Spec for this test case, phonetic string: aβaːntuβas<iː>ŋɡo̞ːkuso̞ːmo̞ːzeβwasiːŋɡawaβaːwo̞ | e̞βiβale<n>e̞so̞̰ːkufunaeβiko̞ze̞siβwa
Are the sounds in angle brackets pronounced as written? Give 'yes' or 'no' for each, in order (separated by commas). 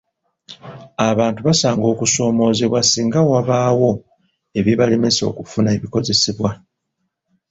no, no